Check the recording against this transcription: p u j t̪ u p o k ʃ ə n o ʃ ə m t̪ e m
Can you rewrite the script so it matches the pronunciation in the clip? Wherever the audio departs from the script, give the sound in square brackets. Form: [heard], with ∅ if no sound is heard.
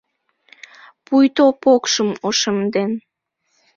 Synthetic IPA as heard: p u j t̪ [o] p o k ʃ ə [m] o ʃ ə m [d̪] e [n]